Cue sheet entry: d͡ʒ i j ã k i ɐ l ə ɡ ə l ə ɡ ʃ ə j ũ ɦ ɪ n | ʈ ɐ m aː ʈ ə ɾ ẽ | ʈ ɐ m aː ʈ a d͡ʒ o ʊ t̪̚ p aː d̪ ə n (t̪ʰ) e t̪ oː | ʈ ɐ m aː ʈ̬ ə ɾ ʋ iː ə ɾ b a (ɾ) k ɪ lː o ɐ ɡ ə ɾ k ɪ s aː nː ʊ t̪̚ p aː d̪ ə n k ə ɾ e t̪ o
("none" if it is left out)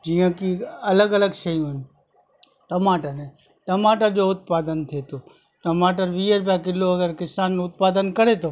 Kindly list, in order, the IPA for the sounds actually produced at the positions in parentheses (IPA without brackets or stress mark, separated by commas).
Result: t̪ʰ, none